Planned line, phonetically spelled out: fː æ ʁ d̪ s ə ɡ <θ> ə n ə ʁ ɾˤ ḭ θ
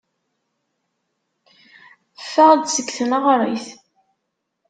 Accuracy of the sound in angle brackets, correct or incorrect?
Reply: correct